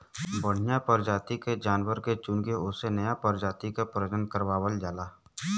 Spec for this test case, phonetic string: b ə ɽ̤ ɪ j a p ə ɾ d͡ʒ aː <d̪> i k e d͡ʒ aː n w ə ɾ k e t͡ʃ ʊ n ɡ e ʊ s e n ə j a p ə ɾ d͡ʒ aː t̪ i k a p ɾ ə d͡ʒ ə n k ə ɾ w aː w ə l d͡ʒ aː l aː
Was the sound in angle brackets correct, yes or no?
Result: no